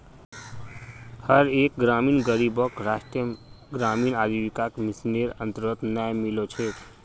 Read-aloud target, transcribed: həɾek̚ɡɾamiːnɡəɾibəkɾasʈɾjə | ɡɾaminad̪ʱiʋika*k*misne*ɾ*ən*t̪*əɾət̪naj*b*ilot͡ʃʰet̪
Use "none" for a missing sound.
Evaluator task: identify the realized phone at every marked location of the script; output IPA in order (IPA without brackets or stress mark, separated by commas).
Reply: k, ɾ, t̪, m